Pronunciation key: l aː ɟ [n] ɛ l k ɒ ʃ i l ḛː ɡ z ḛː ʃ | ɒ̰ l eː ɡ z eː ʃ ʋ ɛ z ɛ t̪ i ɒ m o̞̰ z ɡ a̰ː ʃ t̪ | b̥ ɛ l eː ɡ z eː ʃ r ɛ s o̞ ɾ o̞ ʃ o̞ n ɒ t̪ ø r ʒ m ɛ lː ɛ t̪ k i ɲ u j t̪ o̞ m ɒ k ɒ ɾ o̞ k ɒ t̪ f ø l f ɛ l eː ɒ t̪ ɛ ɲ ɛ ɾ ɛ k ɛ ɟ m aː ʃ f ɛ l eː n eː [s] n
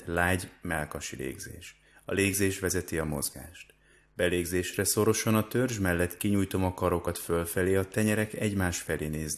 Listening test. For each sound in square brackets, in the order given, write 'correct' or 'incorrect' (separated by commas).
incorrect, incorrect